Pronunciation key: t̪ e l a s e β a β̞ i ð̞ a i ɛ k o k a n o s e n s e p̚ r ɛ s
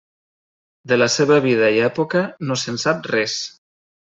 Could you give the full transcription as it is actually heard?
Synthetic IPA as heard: d̪ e l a s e β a β̞ i ð̞ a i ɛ p o k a n o s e n s a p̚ r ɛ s